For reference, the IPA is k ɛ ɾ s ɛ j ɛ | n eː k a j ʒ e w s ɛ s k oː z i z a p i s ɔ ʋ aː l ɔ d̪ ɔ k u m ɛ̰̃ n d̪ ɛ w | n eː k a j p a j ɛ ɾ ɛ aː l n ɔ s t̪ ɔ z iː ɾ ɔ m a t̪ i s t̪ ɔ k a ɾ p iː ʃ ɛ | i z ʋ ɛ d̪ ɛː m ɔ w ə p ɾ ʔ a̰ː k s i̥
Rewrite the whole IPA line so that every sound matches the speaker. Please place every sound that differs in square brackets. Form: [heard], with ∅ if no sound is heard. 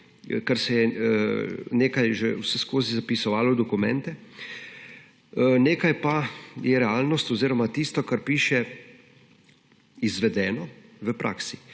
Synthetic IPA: k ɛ ɾ s ɛ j ɛ | n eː k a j ʒ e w s ɛ s k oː z i z a p i s ɔ ʋ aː l ɔ d̪ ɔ k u m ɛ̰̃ n [t̪] ɛ [∅] | n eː k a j p a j ɛ ɾ ɛ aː l n ɔ s t̪ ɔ z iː ɾ ɔ m a t̪ i s t̪ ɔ k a ɾ p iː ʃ ɛ | i z ʋ ɛ d̪ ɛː [n] ɔ [ʋ] ə p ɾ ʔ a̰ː k s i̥